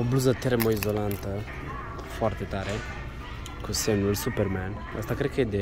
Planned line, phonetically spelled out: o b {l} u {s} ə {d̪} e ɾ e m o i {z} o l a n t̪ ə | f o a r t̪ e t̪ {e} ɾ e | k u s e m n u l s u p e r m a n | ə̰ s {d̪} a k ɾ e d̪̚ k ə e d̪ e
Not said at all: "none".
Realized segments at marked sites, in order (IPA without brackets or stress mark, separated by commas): l, z, t̪, z, a, t̪